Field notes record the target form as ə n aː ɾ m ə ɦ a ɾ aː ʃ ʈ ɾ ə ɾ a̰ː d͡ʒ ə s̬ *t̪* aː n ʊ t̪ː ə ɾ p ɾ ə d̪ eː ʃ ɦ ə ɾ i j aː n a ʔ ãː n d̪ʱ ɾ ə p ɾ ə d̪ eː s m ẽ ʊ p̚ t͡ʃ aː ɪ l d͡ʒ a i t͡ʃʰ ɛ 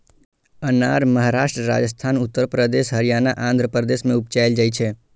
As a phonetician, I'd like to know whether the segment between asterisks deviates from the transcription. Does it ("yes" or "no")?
yes